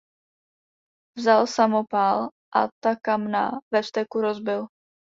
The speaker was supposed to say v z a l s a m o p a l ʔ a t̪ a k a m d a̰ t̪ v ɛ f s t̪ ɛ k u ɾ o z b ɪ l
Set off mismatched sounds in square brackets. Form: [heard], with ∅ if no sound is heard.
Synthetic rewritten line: v z a l s a m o p a l ʔ a t̪ a k a m [n] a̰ [∅] v ɛ f s t̪ ɛ k u ɾ o z b ɪ l

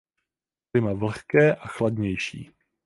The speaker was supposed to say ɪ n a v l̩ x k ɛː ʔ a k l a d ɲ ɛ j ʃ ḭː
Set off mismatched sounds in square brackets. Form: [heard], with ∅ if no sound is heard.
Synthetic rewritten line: ɪ [m] a v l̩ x k ɛː ʔ a [x] l a d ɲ ɛ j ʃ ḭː

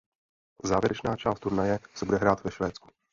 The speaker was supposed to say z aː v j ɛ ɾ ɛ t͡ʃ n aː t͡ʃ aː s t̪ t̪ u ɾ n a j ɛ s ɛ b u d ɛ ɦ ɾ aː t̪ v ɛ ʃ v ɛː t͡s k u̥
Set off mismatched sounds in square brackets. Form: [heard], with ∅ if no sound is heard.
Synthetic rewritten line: z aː v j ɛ ɾ ɛ t͡ʃ n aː t͡ʃ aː s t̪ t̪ u ɾ n a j ɛ s ɛ b u d ɛ ɦ ɾ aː t̪ v ɛ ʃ v ɛː t͡s k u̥

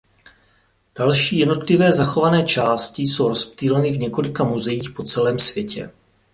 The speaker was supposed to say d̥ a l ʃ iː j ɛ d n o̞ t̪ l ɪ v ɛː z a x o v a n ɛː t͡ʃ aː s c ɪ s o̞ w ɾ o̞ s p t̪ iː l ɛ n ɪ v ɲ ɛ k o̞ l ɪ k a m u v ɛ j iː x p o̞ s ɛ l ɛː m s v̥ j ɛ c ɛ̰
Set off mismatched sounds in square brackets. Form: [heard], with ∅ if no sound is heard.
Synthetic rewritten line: d̥ a l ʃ iː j ɛ d n o̞ t̪ l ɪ v ɛː z a x o v a n ɛː t͡ʃ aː s c ɪ s o̞ w ɾ o̞ s p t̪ iː l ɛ n ɪ v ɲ ɛ k o̞ l ɪ k a m u [z] ɛ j iː x p o̞ [t͡s] ɛ l ɛː m s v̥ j ɛ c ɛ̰

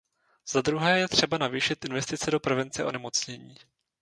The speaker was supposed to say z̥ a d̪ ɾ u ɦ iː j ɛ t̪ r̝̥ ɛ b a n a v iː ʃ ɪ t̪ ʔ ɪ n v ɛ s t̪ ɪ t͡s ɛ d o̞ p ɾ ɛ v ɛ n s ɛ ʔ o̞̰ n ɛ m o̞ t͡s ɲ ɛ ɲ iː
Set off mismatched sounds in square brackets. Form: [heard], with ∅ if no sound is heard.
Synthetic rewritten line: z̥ a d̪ ɾ u ɦ [ɛː] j ɛ t̪ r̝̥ ɛ b a n a v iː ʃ ɪ t̪ ʔ ɪ n v ɛ s t̪ ɪ t͡s ɛ d o̞ p ɾ ɛ v ɛ n [t͡s] ɛ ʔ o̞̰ n ɛ m o̞ t͡s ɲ ɛ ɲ iː

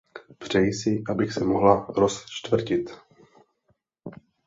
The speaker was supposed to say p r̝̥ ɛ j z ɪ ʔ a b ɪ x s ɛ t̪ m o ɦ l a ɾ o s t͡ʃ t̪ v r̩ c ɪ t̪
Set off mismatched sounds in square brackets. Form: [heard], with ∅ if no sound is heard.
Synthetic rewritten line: p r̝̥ ɛ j [s] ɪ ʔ a b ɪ x s ɛ [∅] m o ɦ l a ɾ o s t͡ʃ t̪ v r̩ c ɪ t̪

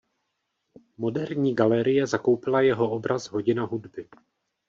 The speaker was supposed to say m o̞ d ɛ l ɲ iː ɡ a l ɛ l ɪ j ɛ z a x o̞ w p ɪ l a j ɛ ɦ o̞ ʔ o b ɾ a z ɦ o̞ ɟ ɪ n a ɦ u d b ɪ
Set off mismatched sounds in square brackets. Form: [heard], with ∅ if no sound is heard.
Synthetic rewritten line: m o̞ d ɛ [ɾ] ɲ iː ɡ a l ɛ [ɾ] ɪ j ɛ z a [k] o̞ w p ɪ l a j ɛ ɦ o̞ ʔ o b ɾ a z ɦ o̞ ɟ ɪ n a ɦ u d b ɪ

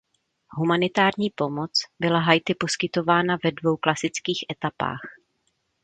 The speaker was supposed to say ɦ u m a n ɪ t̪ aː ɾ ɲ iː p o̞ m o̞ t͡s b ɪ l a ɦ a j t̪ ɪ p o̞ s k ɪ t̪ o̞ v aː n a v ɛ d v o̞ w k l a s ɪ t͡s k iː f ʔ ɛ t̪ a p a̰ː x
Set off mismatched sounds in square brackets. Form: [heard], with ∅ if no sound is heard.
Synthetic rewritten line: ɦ u m a n ɪ t̪ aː ɾ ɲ iː p o̞ m o̞ t͡s b ɪ l a ɦ a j t̪ ɪ p o̞ s k ɪ t̪ o̞ v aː n a v ɛ d v o̞ w k l a s ɪ t͡s k iː [x] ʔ ɛ t̪ a p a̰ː x

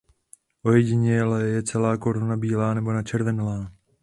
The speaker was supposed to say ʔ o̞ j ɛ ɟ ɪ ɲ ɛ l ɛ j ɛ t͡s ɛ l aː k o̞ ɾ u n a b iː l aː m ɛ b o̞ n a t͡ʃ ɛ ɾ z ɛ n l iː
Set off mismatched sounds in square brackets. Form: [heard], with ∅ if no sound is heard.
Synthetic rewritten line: ʔ o̞ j ɛ ɟ ɪ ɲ ɛ l ɛ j ɛ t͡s ɛ l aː k o̞ ɾ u n a b iː l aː [n] ɛ b o̞ n a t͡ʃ ɛ ɾ [v] ɛ n l [aː]

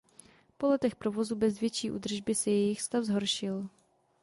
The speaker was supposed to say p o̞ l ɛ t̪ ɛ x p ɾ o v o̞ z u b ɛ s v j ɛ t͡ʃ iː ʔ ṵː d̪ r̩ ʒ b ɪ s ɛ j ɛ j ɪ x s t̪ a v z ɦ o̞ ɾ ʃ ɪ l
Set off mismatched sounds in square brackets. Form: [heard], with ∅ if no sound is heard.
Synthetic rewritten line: p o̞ l ɛ t̪ ɛ x p ɾ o v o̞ z u b ɛ [z] v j ɛ t͡ʃ iː ʔ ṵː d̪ r̩ ʒ b ɪ s ɛ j ɛ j ɪ x s t̪ a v z ɦ o̞ ɾ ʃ ɪ l

